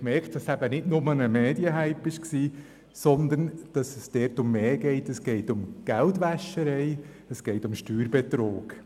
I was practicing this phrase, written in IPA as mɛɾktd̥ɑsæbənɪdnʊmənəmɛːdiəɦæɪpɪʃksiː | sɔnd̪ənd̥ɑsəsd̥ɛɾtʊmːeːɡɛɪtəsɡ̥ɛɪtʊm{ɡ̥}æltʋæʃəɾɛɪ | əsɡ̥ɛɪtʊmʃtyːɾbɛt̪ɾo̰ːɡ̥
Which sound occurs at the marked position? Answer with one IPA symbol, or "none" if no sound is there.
ɡ̥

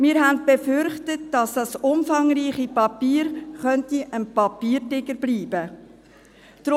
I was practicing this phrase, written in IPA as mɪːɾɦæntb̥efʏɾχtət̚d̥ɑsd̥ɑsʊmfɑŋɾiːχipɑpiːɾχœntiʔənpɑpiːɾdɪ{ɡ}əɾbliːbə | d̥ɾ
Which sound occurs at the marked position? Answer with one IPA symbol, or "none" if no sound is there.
ɡ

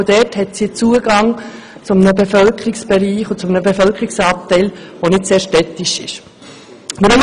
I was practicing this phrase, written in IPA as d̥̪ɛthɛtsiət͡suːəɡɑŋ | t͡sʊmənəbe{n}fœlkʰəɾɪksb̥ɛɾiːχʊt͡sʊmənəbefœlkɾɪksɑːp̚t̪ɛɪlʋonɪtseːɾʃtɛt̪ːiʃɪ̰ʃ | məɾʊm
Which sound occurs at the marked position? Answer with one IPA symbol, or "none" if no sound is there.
none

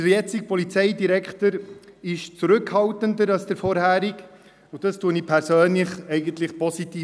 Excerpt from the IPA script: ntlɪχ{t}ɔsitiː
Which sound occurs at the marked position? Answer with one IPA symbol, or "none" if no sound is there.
p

